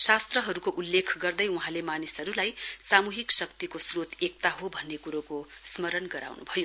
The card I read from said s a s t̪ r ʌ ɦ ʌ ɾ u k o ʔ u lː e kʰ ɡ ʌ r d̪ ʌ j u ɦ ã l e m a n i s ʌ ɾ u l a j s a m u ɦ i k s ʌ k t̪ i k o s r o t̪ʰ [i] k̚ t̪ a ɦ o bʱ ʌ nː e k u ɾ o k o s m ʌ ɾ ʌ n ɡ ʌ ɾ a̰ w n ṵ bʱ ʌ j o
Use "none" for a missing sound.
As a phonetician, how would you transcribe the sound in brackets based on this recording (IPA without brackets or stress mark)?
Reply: e